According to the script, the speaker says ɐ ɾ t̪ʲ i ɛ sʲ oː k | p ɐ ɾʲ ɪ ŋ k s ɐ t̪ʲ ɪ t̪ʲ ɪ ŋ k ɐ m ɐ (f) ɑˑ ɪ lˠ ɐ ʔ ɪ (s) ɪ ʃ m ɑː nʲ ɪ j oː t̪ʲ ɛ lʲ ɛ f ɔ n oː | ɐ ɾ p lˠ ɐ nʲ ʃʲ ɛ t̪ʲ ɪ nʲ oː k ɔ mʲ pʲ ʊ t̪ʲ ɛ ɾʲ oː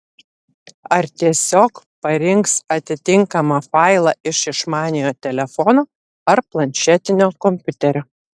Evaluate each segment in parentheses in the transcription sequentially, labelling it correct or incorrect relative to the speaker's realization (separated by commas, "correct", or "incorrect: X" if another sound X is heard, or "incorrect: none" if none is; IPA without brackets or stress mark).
correct, incorrect: ʃ